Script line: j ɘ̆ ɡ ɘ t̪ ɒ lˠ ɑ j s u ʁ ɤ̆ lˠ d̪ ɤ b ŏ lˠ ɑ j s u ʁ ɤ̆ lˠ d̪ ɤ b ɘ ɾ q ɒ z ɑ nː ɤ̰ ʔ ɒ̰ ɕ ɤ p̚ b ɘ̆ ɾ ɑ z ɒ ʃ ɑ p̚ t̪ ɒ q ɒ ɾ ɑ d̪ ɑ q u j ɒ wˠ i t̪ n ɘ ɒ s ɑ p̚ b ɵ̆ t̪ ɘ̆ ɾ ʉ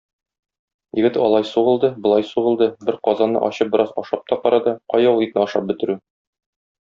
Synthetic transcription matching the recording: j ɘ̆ ɡ ɘ t̪ ɒ lˠ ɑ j s u ʁ ɤ̆ lˠ d̪ ɤ b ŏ lˠ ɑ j s u ʁ ɤ̆ lˠ d̪ ɤ b ɘ ɾ q ɒ z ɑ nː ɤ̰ ʔ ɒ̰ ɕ ɤ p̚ b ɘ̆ ɾ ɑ z ɒ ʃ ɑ p̚ t̪ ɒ q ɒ ɾ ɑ d̪ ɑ q ɒ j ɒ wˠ i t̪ n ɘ ɒ ʃ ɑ p̚ b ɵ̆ t̪ ɘ̆ ɾ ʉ

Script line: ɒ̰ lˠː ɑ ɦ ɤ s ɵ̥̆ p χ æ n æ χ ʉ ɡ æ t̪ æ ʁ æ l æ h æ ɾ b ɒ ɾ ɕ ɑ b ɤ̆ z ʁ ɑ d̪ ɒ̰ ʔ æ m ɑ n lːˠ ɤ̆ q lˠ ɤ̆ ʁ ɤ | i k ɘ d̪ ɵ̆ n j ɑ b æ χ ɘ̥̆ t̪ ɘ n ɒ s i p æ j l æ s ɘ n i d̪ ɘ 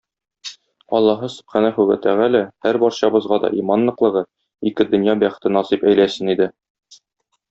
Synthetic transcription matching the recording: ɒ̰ lˠː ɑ ɦ ɤ s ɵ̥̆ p χ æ n æ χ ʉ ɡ æ t̪ æ ʁ æ l æ h æ ɾ b ɒ ɾ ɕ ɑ b ɤ̆ z ʁ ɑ d̪ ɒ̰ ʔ i m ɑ n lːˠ ɤ̆ q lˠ ɤ̆ ʁ ɤ | i k ɘ d̪ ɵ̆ n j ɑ b æ χ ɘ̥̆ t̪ ɘ n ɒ s i p æ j l æ s ɘ n i d̪ ɘ

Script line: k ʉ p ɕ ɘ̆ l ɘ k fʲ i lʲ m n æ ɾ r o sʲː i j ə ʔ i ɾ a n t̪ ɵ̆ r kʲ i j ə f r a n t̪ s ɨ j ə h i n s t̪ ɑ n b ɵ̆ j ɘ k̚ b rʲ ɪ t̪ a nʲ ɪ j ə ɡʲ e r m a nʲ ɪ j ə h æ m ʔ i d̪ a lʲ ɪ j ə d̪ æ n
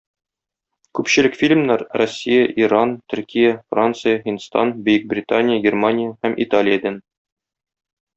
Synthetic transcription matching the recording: k ʉ p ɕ ɘ̆ l ɘ k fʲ i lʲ m n æ ɾ r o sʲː i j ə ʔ i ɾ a n t̪ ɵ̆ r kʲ i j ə f r a n t̪ s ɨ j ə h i n s t̪ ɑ n b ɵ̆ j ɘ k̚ b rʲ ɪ t̪ a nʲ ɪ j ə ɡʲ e r m a nʲ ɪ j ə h æ m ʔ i t̪ a lʲ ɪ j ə d̪ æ n

